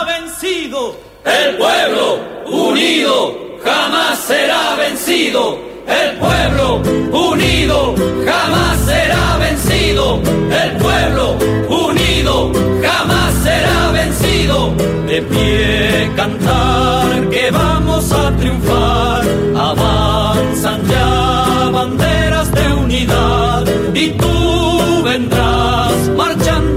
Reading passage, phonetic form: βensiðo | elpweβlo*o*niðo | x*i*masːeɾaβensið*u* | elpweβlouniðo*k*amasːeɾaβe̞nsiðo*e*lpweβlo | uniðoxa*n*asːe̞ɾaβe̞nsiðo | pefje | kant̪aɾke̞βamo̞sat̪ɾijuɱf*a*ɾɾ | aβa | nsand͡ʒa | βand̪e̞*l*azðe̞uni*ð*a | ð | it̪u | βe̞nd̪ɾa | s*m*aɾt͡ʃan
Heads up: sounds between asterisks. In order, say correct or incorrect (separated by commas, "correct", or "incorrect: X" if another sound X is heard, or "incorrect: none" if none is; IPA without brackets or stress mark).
incorrect: u, incorrect: a, incorrect: o, incorrect: x, correct, incorrect: m, correct, incorrect: ɾ, correct, correct